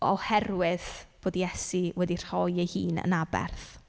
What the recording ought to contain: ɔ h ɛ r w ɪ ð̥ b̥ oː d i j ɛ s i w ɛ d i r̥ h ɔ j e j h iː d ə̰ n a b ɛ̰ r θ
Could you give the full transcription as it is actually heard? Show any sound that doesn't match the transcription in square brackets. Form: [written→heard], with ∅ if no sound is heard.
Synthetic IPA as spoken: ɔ h ɛ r w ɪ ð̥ b̥ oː d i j ɛ s i w ɛ d i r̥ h ɔ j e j h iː [d→n] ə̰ n a b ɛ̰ r θ